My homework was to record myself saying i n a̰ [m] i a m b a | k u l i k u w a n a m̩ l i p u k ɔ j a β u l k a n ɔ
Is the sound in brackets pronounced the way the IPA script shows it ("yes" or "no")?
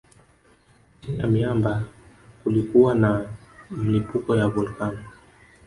yes